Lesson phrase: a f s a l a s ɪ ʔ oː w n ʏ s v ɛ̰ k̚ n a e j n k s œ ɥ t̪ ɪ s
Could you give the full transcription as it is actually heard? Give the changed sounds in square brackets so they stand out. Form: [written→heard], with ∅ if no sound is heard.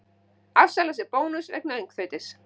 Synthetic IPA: a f s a l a s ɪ [ʔ→p] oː w n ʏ s v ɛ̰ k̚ n a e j [n→ŋ] k [s→θ] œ ɥ t̪ ɪ s